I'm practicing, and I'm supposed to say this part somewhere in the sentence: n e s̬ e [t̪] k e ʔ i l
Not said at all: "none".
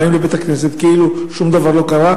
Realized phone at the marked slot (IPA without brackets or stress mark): t̪